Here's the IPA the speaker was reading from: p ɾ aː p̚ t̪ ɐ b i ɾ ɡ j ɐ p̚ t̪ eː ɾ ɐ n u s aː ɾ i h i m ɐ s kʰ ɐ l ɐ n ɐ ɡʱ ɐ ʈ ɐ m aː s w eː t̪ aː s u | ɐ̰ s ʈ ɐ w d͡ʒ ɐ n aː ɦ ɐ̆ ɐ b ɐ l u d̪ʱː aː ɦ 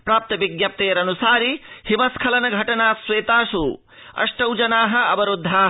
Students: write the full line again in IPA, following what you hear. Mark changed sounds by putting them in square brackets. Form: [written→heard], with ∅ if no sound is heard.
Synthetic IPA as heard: p ɾ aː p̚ t̪ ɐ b i [ɾ→∅] ɡ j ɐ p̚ t̪ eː ɾ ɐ n u s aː ɾ i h i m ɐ s kʰ ɐ l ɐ n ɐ ɡʱ ɐ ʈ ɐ [m→n] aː s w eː t̪ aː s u | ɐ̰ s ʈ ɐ w d͡ʒ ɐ n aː ɦ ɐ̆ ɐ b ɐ [l→ɾ] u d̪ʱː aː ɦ